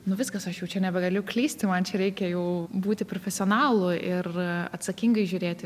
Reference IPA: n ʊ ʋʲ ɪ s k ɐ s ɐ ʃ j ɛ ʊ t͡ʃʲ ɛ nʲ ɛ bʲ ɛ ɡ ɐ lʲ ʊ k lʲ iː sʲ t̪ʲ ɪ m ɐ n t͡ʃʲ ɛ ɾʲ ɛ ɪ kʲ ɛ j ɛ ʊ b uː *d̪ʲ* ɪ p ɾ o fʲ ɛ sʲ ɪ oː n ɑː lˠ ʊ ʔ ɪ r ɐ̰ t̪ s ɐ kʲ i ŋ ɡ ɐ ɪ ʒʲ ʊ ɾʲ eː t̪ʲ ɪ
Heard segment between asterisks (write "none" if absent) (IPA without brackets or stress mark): t̪ʲ